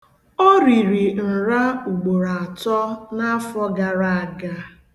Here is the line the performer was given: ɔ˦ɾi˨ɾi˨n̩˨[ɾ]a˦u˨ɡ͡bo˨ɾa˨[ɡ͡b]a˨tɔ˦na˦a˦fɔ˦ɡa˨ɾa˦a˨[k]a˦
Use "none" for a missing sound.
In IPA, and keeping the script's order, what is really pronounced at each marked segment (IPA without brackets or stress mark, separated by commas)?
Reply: ɾ, none, ɡ